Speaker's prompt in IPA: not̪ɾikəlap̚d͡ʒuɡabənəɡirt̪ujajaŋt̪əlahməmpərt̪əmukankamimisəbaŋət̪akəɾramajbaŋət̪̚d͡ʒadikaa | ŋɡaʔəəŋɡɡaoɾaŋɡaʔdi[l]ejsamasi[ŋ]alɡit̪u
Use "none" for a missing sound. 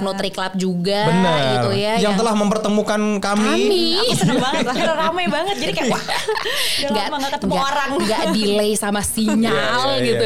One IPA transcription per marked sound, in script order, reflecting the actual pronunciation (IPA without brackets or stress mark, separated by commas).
l, ɲ